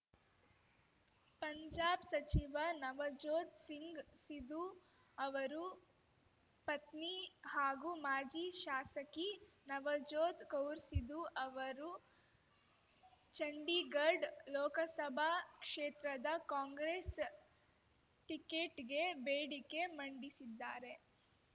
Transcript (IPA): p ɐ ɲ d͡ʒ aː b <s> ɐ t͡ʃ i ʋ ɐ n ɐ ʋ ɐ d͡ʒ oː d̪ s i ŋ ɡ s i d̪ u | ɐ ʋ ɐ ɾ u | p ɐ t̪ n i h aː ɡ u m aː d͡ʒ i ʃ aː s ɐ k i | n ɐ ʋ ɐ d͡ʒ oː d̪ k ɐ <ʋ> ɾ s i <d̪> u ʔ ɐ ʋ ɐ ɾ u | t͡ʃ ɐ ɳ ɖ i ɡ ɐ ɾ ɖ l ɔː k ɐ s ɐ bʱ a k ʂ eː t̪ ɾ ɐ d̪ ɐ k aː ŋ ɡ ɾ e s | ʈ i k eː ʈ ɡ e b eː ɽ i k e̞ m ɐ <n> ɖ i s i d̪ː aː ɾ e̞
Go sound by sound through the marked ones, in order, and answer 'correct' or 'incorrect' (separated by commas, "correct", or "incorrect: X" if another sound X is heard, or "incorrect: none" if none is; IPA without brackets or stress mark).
correct, incorrect: w, correct, incorrect: ɳ